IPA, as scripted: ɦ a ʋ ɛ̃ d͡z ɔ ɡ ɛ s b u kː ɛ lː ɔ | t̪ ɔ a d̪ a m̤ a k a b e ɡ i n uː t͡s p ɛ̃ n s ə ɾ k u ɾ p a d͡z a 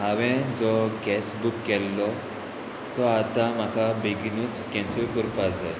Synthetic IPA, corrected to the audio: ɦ a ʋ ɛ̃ d͡z ɔ ɡ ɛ s b u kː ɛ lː ɔ | t̪ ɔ a t̪ a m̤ a k a b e ɡ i n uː t͡s k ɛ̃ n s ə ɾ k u ɾ p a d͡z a